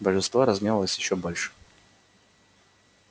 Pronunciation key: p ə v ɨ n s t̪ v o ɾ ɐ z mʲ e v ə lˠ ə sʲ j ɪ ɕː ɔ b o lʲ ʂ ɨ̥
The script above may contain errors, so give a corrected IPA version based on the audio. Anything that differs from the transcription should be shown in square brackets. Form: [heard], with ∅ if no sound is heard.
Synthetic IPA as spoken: [b] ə [ʐ] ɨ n s t̪ v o ɾ ɐ z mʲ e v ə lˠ ə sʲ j ɪ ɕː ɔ b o lʲ ʂ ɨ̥

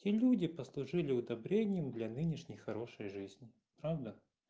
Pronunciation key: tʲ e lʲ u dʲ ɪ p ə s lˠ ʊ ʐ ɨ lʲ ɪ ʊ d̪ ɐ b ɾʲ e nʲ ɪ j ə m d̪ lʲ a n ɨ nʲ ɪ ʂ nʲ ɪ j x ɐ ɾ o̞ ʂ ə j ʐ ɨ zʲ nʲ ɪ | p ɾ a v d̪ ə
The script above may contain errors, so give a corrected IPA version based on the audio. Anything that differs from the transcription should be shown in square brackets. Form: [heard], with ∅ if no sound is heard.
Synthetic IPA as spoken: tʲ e lʲ u dʲ ɪ p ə s lˠ ʊ ʐ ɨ lʲ ɪ ʊ d̪ ɐ b ɾʲ e nʲ ɪ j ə m d̪ lʲ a n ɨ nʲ ɪ ʂ nʲ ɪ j x ɐ ɾ o̞ ʂ ə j ʐ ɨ zʲ nʲ ɪ | p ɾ a v d̪ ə

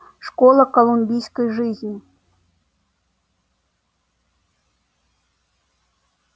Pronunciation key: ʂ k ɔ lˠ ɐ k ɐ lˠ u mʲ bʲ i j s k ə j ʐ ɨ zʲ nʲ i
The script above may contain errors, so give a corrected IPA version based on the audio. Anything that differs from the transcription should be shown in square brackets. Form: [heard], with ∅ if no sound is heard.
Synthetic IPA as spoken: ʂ k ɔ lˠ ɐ k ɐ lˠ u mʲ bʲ i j s k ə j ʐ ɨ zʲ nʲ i

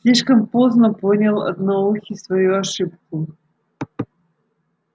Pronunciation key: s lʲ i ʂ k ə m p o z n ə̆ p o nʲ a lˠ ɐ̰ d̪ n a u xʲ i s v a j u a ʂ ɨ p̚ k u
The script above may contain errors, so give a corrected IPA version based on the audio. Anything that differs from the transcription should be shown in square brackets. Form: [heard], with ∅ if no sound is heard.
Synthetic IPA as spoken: s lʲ i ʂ k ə m p o z n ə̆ p o nʲ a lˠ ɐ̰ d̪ n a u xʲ i s v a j u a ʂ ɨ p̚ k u

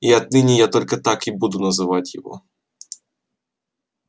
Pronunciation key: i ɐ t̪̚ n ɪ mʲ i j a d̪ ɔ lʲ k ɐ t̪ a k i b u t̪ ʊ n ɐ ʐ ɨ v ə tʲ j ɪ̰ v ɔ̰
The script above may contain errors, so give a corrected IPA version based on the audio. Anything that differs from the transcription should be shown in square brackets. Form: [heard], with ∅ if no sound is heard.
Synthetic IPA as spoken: i ɐ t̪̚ n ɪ [nʲ] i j a [t̪] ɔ lʲ k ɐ t̪ a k i b u [d̪] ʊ n ɐ [z] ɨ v [a] tʲ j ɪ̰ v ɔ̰

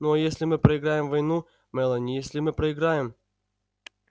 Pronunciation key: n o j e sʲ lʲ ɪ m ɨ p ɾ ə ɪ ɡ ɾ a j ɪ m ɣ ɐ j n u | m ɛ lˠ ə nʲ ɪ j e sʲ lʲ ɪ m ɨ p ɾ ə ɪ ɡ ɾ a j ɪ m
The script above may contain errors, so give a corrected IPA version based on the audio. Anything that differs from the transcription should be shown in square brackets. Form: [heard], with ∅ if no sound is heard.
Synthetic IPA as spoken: n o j e sʲ lʲ ɪ m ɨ p ɾ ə ɪ ɡ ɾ a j ɪ m [v] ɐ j n u | m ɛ lˠ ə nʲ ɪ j e sʲ lʲ ɪ m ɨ p ɾ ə ɪ ɡ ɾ a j ɪ m

